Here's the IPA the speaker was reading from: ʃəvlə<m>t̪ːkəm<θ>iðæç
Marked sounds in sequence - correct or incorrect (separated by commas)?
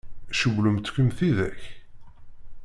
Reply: correct, correct